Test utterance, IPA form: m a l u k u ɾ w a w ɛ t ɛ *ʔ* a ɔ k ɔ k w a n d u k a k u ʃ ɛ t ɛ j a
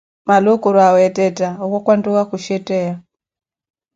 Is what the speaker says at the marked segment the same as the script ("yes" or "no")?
no